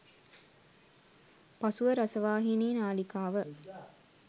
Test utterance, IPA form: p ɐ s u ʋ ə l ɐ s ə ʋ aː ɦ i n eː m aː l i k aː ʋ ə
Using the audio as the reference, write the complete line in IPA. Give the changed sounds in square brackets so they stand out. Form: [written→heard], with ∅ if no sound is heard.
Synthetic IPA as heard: p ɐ s u ʋ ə [l→ɾ] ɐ s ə ʋ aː ɦ i n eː [m→n] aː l i k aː ʋ ə